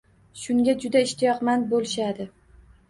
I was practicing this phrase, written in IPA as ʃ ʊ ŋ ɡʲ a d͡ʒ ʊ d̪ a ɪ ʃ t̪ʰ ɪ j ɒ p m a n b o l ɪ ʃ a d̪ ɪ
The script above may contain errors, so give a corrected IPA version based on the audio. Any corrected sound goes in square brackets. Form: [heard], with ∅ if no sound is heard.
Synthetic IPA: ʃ ʊ ŋ ɡʲ a d͡ʒ ʊ d̪ a ɪ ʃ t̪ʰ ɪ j ɒ [q] m a n b o l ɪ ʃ a d̪ ɪ